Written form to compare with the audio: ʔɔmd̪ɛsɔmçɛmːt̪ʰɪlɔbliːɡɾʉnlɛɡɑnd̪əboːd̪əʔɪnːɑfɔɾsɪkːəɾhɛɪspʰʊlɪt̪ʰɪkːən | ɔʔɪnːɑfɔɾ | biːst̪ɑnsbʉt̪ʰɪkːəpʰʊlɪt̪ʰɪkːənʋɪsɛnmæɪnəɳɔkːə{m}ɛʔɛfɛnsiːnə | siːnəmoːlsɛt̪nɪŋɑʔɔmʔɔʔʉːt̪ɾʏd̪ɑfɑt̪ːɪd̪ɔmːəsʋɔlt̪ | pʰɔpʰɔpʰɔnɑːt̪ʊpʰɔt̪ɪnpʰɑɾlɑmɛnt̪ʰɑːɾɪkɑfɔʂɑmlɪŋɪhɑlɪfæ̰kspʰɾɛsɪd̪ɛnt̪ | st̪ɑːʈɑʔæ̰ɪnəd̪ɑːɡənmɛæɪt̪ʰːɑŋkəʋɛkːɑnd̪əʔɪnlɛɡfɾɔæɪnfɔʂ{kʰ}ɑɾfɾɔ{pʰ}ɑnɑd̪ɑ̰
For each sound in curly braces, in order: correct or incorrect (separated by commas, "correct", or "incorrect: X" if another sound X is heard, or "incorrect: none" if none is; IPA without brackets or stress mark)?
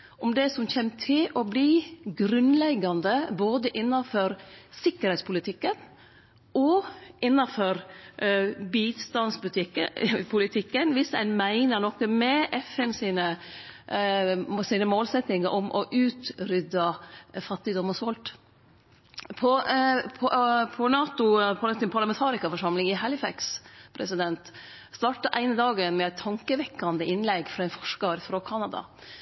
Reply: correct, incorrect: k, incorrect: kʰ